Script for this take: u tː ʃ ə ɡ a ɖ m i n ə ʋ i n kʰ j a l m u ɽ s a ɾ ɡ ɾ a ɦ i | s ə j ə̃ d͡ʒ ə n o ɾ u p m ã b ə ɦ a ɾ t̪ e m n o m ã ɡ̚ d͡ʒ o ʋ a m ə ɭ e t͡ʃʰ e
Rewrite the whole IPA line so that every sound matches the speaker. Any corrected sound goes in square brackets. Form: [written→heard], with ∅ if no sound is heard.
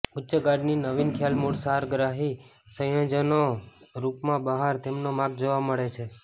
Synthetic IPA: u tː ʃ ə ɡ a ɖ [m→n] i n ə ʋ i n kʰ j a l m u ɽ s a ɾ ɡ ɾ a ɦ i | s ə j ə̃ d͡ʒ ə n o ɾ u p m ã b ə ɦ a ɾ t̪ e m n o m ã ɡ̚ d͡ʒ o ʋ a m ə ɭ e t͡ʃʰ e